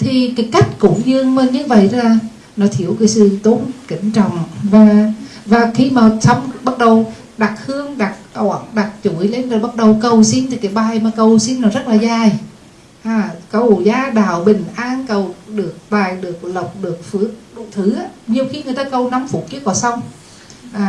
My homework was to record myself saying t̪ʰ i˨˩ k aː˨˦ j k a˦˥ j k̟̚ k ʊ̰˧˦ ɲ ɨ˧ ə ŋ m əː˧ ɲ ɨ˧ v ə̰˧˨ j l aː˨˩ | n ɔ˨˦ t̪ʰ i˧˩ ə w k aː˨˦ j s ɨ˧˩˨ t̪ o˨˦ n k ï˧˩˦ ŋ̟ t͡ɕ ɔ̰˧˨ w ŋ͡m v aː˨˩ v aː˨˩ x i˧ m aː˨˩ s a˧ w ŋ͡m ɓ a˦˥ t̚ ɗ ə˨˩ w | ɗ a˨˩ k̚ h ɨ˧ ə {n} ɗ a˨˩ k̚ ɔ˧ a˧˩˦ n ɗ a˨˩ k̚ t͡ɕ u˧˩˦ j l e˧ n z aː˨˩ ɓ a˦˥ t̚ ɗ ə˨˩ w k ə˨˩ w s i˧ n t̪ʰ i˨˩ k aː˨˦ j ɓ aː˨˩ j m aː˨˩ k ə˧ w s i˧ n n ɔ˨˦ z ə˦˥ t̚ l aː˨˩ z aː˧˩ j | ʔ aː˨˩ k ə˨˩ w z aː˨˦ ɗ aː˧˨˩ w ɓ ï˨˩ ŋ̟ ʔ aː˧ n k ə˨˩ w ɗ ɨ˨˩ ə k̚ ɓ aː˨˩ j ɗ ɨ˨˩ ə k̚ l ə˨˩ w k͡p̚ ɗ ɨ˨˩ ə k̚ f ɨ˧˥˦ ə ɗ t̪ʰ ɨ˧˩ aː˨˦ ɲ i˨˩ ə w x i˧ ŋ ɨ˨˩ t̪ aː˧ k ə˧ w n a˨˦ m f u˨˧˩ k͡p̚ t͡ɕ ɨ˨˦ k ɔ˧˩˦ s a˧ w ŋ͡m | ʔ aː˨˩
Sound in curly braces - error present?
yes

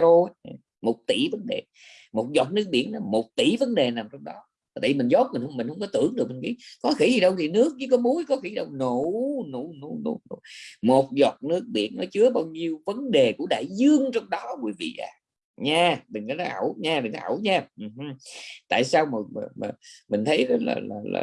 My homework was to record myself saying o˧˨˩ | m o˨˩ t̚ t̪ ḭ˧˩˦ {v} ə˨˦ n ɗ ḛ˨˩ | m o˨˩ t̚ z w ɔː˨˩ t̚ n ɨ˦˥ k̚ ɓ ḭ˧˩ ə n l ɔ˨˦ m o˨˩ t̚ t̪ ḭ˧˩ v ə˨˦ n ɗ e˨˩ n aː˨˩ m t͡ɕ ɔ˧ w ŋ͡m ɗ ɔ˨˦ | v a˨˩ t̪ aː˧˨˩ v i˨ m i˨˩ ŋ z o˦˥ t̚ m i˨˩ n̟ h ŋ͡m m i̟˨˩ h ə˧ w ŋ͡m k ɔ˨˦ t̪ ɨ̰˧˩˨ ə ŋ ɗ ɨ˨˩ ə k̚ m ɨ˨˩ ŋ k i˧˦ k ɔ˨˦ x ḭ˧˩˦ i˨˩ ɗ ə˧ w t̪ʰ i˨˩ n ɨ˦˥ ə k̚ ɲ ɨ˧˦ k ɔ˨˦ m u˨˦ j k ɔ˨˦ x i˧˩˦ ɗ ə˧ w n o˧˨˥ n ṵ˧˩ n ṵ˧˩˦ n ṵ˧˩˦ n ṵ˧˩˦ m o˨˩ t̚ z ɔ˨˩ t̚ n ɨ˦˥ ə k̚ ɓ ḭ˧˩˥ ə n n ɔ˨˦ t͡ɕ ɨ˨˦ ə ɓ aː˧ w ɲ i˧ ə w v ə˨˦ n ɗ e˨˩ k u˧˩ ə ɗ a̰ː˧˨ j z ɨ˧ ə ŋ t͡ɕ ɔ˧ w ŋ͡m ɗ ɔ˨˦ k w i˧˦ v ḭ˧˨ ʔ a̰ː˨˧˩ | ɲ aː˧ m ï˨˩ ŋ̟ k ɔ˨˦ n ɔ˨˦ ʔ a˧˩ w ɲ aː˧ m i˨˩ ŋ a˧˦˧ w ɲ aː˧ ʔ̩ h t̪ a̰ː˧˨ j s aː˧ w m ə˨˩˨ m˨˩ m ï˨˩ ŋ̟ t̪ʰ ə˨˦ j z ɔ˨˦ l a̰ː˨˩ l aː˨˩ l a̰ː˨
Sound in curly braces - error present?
no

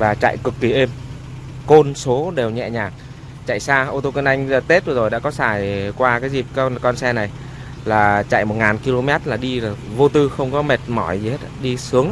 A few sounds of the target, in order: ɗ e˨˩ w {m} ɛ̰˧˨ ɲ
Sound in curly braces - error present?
yes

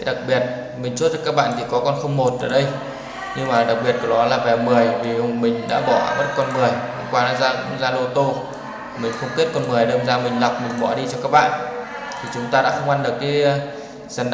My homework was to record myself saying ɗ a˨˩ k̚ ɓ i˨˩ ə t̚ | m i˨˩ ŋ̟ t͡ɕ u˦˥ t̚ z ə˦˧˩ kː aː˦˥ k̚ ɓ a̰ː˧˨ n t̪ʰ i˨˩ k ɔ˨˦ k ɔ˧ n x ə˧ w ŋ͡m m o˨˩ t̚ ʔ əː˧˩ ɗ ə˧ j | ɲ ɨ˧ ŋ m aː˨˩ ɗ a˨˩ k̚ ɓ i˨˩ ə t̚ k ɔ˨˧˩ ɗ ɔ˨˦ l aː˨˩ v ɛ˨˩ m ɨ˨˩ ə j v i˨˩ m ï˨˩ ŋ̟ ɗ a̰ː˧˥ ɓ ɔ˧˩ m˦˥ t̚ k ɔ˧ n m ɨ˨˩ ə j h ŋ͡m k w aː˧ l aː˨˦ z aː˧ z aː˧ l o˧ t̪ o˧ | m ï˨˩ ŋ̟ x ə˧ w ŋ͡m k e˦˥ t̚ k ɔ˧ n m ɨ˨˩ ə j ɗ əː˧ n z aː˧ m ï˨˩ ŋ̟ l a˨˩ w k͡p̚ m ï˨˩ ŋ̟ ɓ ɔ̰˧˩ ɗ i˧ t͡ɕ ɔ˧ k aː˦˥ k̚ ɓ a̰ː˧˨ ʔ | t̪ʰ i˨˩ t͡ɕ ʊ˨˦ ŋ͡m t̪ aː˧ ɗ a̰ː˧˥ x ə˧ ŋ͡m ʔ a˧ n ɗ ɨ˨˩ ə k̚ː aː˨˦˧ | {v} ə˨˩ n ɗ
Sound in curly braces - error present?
yes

